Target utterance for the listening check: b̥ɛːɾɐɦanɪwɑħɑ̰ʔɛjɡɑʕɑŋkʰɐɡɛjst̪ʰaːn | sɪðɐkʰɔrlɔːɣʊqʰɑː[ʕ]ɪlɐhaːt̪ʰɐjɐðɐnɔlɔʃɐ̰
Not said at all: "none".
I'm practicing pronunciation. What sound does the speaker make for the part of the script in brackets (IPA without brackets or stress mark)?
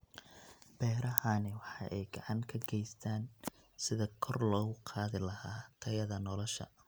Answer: ð